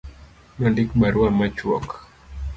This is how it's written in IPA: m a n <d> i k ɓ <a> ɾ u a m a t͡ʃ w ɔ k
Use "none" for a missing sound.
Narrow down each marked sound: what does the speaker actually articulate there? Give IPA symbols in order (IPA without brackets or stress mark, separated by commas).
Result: d, a